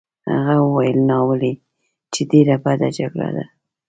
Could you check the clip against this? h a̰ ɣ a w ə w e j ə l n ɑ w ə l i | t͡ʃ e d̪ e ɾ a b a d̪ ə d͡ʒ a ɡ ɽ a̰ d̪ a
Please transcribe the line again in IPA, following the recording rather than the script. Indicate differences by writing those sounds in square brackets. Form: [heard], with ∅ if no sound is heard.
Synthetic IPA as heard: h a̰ ɣ a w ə w [a] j ə l n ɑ w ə l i | t͡ʃ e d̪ e ɾ a b a d̪ [a] d͡ʒ a ɡ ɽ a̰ d̪ a